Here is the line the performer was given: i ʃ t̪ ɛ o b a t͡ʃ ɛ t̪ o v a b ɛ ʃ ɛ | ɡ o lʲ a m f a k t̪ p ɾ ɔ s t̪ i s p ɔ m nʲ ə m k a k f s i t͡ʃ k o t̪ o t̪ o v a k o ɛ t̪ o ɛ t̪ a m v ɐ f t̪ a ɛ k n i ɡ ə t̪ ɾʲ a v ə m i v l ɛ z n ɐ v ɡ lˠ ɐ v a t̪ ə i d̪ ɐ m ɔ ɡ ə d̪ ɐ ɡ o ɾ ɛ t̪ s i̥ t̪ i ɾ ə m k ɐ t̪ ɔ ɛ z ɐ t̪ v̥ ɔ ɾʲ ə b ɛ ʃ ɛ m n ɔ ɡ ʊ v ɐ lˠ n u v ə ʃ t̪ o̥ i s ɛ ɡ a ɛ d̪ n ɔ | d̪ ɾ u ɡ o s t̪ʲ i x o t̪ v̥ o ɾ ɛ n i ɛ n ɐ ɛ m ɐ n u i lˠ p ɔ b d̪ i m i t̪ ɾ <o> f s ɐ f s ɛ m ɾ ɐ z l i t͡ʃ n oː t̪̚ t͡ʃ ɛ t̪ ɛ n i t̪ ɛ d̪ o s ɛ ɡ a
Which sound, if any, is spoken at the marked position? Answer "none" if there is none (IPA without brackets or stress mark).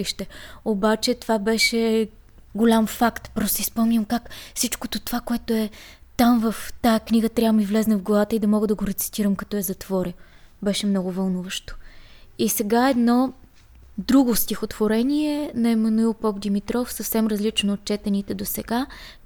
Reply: ɔ